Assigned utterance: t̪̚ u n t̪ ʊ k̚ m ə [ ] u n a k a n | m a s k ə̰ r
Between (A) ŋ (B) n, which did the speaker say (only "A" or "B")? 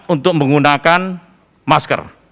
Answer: A